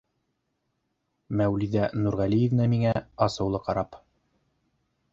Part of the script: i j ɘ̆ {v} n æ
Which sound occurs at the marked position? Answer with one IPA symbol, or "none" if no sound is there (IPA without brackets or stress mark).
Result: v